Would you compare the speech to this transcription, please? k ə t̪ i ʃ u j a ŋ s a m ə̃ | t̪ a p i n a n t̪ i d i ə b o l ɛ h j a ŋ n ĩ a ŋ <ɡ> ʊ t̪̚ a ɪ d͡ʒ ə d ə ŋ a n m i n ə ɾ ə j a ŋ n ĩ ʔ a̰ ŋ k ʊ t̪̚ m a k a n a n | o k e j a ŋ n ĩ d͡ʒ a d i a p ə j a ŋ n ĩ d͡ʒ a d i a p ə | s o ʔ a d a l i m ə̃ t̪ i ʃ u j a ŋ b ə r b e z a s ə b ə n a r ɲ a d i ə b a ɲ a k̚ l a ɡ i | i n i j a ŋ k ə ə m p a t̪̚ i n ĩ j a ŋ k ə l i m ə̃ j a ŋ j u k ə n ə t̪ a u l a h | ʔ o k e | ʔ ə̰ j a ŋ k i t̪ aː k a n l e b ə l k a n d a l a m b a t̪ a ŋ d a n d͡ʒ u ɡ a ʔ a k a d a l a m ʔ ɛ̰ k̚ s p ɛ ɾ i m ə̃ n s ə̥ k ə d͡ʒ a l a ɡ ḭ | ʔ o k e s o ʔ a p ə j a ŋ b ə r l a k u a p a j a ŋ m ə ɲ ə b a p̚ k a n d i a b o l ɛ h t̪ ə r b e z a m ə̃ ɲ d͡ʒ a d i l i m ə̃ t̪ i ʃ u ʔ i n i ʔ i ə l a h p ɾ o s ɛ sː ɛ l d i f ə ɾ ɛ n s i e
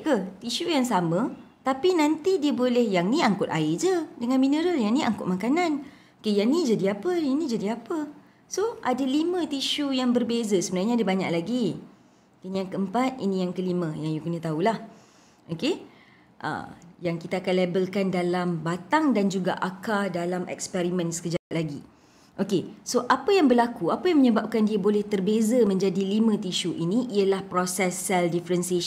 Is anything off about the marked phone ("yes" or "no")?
yes